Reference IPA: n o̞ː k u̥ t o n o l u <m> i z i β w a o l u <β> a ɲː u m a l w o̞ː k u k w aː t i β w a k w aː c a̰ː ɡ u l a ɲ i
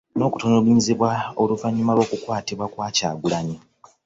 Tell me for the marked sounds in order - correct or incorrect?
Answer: incorrect, incorrect

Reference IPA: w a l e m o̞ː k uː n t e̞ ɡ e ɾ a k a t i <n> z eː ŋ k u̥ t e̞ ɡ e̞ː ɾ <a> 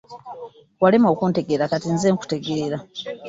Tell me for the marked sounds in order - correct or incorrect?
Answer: correct, correct

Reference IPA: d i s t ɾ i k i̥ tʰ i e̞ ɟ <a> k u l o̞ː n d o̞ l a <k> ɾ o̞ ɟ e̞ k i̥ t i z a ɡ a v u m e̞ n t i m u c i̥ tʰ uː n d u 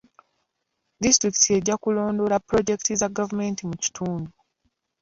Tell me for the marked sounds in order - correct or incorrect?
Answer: correct, incorrect

